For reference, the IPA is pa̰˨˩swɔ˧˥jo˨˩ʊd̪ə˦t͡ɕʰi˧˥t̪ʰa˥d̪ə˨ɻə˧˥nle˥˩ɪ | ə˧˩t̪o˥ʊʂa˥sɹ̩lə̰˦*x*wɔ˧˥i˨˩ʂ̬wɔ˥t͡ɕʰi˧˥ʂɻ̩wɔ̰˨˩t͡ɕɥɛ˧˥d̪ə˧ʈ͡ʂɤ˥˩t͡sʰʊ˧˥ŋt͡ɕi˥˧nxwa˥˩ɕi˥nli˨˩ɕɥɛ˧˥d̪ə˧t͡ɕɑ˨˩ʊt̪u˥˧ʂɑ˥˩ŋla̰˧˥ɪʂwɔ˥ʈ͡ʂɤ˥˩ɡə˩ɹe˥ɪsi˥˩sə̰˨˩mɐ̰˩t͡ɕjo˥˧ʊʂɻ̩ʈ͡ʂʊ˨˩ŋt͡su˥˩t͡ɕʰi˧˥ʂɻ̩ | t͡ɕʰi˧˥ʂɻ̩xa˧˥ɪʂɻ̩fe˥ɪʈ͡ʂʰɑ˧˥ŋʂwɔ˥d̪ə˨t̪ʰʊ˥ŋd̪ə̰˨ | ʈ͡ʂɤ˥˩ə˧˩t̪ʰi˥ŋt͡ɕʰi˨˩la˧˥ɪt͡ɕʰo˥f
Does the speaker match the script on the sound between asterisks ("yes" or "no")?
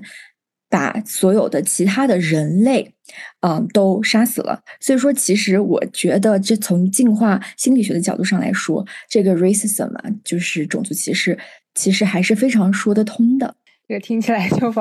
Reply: no